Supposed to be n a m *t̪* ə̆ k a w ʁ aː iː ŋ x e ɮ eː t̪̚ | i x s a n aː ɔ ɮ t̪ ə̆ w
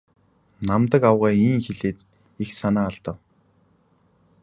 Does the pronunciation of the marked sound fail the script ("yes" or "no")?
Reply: no